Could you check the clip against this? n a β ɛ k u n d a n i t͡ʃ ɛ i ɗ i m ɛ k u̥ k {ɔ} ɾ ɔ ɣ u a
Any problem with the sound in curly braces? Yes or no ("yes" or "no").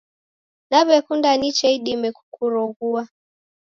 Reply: yes